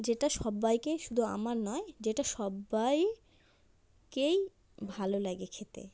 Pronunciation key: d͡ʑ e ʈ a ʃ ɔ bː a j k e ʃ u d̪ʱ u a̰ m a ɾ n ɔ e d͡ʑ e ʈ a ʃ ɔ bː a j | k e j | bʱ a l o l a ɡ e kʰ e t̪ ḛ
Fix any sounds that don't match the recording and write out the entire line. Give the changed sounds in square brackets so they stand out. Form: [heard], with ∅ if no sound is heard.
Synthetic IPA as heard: d͡ʑ e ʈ a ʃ ɔ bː a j k e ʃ u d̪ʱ u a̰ m a ɾ n ɔ e d͡ʑ e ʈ a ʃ ɔ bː a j | k e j | bʱ a l o l a ɡ e kʰ e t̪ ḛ